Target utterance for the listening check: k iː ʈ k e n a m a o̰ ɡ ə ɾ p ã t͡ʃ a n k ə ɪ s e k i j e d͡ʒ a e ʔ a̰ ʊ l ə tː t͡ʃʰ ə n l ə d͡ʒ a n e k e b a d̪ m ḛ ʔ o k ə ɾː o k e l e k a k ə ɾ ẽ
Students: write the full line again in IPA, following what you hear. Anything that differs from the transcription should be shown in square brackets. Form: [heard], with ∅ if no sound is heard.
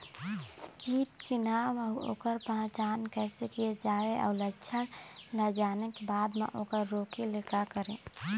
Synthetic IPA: k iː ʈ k e n a m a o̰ [k] ə ɾ p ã t͡ʃ a n k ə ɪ s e k i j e d͡ʒ a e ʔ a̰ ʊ l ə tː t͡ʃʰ ə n l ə d͡ʒ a n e k e b a d̪ m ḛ ʔ o k ə ɾː o k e l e k a k ə ɾ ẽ